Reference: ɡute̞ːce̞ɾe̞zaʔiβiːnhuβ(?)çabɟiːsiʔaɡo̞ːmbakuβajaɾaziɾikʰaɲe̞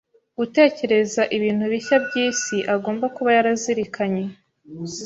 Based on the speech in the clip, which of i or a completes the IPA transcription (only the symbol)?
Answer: i